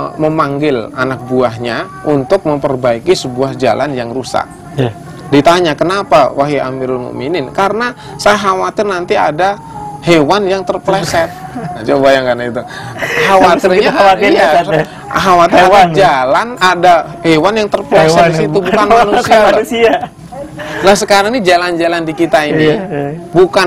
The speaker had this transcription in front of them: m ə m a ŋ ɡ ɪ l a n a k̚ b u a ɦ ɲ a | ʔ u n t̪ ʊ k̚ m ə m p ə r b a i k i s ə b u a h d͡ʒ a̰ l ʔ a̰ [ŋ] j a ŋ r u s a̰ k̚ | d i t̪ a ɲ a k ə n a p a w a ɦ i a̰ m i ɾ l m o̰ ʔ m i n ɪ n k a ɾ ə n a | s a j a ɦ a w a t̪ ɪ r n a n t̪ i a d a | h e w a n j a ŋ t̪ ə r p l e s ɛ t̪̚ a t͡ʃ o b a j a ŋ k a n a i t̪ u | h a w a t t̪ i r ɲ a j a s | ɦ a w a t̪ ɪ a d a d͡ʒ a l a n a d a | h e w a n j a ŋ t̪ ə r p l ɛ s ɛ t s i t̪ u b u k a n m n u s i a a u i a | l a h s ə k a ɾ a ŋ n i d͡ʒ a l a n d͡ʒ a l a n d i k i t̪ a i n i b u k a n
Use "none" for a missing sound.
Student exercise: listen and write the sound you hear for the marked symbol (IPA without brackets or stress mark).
n